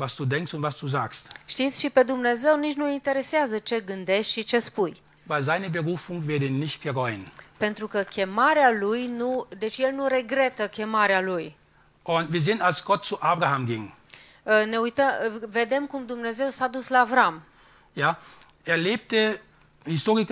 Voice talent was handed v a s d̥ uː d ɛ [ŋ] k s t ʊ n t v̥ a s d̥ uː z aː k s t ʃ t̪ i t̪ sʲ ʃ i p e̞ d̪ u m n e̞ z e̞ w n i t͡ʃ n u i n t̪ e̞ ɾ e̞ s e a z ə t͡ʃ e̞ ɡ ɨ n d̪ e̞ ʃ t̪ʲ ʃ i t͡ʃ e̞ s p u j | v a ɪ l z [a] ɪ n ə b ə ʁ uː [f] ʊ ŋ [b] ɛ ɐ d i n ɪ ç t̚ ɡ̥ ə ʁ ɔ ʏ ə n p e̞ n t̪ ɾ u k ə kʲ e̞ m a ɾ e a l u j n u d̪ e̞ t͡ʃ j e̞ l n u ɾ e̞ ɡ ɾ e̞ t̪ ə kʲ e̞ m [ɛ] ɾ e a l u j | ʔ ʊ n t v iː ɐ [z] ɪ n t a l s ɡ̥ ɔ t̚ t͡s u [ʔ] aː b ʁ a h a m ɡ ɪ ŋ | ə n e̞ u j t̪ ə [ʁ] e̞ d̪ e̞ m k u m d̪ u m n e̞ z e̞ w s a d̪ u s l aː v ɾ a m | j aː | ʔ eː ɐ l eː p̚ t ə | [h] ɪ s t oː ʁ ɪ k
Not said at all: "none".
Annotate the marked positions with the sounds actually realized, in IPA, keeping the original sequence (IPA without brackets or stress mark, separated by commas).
ŋ, a, f, v, a, z, ʔ, v, h